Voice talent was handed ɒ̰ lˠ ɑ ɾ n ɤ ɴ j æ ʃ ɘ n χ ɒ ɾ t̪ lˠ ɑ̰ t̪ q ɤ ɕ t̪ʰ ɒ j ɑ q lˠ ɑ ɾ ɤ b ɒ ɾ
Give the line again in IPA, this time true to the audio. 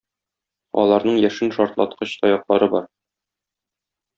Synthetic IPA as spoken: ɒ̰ lˠ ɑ ɾ n ɤ ɴ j æ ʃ ɘ n ʃ ɒ ɾ t̪ lˠ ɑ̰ t̪ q ɤ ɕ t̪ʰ ɒ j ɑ q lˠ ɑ ɾ ɤ b ɒ ɾ